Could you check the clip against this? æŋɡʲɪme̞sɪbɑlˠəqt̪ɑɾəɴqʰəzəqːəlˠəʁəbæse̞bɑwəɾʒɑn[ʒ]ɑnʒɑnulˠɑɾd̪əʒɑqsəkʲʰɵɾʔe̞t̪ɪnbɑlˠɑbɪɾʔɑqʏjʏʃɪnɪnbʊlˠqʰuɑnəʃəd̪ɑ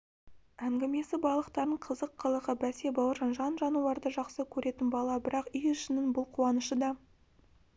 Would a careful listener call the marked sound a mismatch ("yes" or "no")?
no